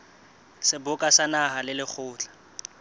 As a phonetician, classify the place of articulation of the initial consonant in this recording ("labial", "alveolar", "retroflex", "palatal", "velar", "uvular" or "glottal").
alveolar